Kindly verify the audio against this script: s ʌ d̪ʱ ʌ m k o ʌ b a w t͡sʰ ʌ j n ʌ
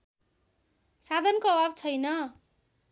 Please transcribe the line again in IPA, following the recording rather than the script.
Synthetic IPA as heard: s a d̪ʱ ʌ n k o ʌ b a b t͡sʰ ʌ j n ʌ

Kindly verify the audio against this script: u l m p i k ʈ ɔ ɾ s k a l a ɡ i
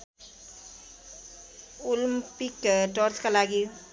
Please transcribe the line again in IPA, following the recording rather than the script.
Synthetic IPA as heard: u l m p i k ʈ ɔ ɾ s k a l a ɡ i

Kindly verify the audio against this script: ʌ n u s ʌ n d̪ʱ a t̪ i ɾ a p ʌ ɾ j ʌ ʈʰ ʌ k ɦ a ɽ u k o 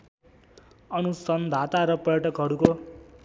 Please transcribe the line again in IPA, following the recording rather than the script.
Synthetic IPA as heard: ʌ n u s ʌ n d̪ʱ a t̪ a ɾ ʌ p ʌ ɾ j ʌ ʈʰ ʌ k ɦ ʌ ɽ u k o

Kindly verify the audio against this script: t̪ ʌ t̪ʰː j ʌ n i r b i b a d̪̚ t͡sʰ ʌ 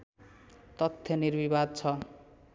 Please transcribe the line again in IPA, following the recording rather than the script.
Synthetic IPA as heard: t̪ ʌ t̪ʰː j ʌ n i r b i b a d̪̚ t͡sʰ ʌ

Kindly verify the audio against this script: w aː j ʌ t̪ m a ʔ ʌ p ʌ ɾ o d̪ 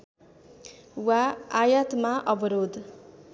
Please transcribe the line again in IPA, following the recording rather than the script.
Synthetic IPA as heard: w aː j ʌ t̪ m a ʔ ʌ b ʌ ɾ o d̪

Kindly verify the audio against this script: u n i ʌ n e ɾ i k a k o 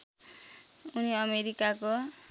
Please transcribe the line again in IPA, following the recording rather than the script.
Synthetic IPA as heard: u n i ʌ m e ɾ i k a k o

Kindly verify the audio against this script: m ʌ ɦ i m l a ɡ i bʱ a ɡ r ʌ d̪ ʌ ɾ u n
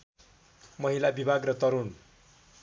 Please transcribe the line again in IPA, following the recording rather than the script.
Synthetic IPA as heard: m ʌ ɦ i l a b i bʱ a ɡ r ʌ t̪ ʌ ɾ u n

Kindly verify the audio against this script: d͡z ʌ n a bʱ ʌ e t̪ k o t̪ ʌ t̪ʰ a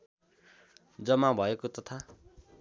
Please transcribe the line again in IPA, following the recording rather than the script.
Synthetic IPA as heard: d͡z ʌ m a bʱ ʌ e k o t̪ ʌ t̪ʰ a

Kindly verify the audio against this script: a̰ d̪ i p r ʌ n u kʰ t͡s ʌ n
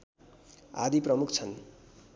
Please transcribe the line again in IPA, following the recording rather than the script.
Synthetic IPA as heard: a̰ d̪ i p r ʌ m u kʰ t͡sʰ ʌ n

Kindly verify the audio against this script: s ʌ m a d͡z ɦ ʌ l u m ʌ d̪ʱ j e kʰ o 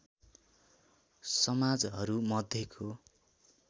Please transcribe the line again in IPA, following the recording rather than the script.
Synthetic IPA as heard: s ʌ m a d͡z ɦ ʌ ɾ u m ʌ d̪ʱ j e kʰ o

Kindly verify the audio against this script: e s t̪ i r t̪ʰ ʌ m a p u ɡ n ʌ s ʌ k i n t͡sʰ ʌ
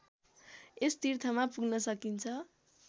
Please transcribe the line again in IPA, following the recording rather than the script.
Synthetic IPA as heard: e s t̪ i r t̪ʰ ʌ m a p u ɡ n ʌ s ʌ k i n t͡sʰ ʌ

